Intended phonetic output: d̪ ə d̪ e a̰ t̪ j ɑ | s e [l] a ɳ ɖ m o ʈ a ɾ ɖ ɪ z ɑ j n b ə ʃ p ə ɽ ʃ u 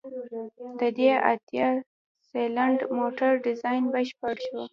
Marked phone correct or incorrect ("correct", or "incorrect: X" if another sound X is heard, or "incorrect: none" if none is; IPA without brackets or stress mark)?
correct